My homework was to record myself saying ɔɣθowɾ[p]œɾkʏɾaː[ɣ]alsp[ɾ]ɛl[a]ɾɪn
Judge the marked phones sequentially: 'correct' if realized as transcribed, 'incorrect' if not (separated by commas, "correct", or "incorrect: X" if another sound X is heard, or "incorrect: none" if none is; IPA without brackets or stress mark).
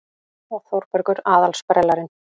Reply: correct, incorrect: ð, correct, correct